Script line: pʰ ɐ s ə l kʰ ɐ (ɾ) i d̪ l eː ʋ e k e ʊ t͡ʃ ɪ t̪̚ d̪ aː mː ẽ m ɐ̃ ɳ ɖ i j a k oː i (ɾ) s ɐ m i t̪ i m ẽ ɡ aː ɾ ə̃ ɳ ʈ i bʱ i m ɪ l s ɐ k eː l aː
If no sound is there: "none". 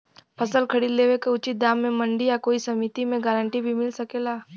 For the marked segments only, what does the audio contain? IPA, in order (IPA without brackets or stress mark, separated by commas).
ɽ, none